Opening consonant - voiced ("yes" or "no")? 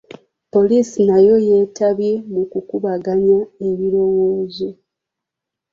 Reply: no